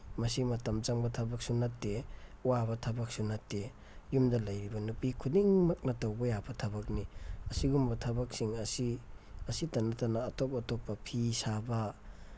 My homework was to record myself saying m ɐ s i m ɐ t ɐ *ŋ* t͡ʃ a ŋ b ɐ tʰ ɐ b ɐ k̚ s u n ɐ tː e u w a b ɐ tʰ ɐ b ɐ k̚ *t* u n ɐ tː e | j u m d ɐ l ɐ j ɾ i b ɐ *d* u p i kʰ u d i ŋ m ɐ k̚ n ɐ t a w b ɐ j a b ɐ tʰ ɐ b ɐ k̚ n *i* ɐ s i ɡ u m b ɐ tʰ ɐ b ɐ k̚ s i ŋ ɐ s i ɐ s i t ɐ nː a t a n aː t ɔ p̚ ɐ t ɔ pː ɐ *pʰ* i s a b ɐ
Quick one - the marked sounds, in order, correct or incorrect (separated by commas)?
incorrect, incorrect, incorrect, correct, correct